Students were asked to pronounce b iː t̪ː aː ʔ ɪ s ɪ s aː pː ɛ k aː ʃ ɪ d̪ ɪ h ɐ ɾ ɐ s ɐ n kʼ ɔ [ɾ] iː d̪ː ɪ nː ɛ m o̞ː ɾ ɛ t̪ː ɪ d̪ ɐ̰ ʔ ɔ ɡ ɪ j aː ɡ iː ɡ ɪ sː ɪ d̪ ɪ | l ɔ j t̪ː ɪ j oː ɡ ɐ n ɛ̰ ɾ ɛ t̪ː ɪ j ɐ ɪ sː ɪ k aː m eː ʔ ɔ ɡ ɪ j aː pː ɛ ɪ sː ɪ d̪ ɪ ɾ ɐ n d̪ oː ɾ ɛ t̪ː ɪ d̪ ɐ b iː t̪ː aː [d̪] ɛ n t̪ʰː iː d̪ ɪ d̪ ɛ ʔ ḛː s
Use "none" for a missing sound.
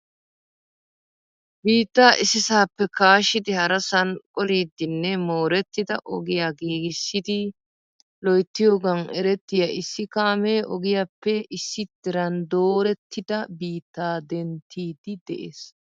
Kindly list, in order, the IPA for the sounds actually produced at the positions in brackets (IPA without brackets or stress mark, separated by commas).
l, d̪